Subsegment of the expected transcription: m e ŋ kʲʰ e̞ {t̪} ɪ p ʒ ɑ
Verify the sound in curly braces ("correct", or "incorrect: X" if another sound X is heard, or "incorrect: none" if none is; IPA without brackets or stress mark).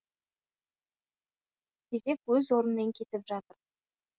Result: correct